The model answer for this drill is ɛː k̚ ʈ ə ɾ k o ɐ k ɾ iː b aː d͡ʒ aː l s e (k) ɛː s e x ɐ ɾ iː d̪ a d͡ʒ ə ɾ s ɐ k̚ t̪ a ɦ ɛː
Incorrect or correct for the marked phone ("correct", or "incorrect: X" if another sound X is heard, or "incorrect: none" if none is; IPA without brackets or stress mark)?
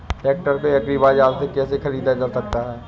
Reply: correct